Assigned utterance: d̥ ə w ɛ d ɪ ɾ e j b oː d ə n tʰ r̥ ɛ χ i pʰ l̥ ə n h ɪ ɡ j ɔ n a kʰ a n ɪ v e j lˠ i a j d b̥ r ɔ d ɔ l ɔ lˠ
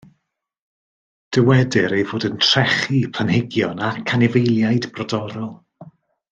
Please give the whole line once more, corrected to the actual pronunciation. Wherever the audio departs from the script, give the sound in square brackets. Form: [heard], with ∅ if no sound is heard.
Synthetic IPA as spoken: d̥ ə w ɛ d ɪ ɾ e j [v] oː d ə n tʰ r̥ ɛ χ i pʰ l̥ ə n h ɪ ɡ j ɔ n a kʰ a n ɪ v e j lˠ [j] a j d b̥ r ɔ d ɔ [ɾ] ɔ lˠ